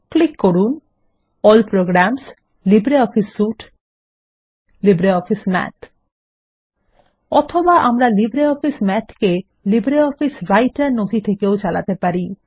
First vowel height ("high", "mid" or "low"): high